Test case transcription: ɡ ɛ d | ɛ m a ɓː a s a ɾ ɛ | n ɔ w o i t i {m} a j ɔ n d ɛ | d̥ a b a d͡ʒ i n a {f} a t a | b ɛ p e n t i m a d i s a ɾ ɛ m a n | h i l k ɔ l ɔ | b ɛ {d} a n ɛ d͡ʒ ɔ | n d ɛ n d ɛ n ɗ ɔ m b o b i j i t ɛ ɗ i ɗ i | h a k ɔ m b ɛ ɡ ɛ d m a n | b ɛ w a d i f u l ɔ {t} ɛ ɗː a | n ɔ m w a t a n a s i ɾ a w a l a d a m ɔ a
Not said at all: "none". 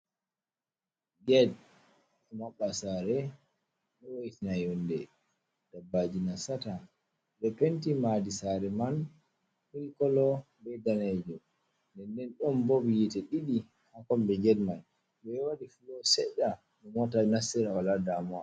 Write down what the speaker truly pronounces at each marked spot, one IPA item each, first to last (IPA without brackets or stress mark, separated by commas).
n, s, d, s